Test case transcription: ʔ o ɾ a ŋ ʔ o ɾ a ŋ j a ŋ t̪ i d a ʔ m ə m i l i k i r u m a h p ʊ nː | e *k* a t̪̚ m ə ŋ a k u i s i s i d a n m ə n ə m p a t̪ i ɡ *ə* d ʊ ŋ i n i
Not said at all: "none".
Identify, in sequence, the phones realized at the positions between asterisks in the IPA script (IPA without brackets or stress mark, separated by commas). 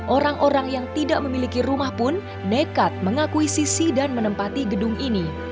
k, ə